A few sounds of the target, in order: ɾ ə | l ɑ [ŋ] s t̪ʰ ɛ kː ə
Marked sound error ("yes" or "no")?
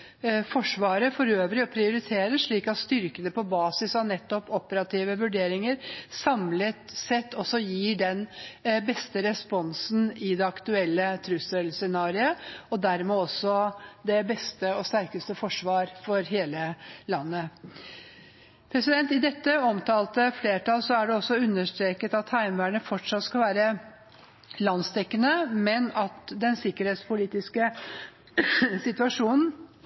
yes